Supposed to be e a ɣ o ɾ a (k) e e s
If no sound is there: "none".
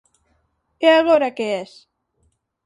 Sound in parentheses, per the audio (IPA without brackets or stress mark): k